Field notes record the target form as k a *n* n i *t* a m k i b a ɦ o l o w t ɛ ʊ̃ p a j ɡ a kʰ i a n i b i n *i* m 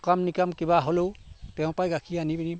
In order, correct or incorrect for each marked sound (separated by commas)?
incorrect, incorrect, correct